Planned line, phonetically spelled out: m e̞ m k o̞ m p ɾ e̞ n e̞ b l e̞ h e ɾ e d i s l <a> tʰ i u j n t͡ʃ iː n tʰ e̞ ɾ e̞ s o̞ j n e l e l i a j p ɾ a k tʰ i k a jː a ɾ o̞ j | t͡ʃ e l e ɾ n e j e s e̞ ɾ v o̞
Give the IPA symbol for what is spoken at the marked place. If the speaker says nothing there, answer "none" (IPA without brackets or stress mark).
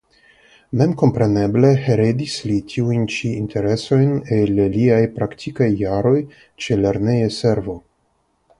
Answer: i